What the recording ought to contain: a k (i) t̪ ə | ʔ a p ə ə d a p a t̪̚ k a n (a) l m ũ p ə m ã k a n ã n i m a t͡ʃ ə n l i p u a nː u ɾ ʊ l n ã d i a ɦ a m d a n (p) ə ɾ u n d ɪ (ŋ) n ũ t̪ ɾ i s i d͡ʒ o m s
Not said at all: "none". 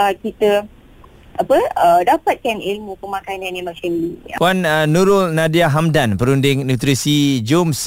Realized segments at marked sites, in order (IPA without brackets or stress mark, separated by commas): i, i, p, ŋ